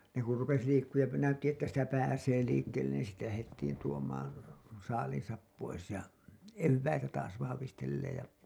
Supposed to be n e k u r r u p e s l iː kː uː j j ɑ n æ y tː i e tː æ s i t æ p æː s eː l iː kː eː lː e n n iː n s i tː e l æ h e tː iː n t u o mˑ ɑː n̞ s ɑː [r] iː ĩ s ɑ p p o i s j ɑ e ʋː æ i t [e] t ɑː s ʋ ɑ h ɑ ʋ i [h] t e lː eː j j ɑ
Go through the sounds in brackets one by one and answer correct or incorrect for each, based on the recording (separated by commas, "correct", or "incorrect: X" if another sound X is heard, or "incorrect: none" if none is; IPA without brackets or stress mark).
incorrect: l, incorrect: æ, incorrect: s